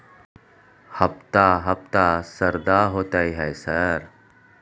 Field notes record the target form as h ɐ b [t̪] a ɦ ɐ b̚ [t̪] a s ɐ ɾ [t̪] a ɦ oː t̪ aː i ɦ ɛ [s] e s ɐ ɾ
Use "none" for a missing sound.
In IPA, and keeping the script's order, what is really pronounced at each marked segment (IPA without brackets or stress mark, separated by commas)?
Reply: t̪, t̪, d̪, none